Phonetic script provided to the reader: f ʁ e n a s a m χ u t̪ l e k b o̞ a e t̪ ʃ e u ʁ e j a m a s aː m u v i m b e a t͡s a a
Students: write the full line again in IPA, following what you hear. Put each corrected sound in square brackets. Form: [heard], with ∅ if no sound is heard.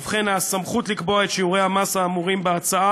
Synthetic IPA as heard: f [χ] e n a s a m χ u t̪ l [i] k b o̞ a e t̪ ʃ [i] u ʁ e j a m a s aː m u [ʁ] i m b e a t͡s a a